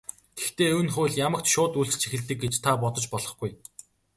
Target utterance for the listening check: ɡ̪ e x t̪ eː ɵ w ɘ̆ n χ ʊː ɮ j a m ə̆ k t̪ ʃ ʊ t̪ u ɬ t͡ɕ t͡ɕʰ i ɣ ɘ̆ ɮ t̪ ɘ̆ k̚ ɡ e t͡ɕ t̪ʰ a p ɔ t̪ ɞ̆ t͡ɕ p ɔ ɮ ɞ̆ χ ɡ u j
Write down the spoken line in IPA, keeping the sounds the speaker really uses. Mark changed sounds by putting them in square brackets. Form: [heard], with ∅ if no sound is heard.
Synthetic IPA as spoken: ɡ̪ e x t̪ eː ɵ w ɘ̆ n χ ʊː ɮ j a m ə̆ k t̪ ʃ [ʊː] t̪ u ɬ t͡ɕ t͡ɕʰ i [x] ɘ̆ ɮ t̪ ɘ̆ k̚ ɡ e t͡ɕ t̪ʰ a p ɔ t̪ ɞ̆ t͡ɕ p ɔ ɮ ɞ̆ χ ɡ u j